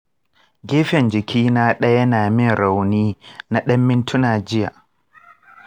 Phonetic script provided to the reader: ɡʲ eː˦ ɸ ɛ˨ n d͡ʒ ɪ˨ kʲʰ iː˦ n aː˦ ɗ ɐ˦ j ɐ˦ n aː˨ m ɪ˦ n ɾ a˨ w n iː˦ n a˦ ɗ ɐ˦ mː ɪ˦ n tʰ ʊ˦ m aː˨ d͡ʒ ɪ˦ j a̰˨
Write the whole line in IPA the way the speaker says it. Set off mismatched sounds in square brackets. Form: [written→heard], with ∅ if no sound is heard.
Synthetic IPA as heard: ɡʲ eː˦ ɸ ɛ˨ n d͡ʒ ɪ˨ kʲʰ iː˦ n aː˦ ɗ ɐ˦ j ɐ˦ n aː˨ m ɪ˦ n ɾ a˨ w n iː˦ n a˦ ɗ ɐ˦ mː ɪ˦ n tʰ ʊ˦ [m→n] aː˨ d͡ʒ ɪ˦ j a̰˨